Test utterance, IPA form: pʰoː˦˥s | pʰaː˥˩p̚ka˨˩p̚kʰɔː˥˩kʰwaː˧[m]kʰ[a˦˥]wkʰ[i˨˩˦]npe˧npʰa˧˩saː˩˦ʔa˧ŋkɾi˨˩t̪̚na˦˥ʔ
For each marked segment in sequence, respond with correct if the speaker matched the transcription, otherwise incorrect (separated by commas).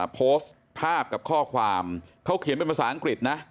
correct, correct, correct